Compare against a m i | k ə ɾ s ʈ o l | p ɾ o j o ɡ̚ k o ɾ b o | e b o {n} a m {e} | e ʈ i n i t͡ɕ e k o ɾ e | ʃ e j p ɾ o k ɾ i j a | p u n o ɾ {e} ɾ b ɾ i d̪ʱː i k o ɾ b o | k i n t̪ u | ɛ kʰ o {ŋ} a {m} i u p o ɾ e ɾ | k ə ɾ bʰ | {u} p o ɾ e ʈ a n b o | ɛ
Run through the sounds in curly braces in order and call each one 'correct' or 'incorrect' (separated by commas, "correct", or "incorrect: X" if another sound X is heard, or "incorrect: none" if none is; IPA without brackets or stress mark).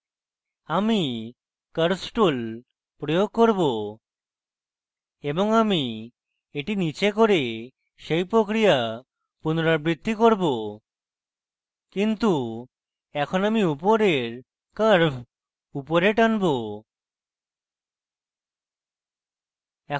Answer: incorrect: ŋ, incorrect: i, incorrect: a, incorrect: n, correct, correct